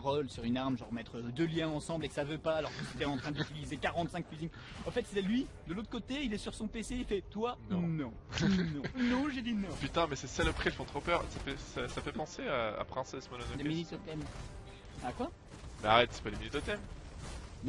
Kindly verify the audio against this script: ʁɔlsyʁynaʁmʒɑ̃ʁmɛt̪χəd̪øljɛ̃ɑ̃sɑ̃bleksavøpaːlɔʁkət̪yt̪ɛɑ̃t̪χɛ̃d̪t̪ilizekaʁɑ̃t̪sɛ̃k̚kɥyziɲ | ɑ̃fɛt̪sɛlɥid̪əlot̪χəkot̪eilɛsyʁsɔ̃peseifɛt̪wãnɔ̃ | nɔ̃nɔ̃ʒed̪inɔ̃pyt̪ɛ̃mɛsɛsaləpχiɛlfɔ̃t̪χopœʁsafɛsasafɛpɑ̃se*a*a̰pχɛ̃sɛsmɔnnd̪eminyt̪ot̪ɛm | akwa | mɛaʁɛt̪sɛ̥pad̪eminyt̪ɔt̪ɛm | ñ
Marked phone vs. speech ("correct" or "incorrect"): correct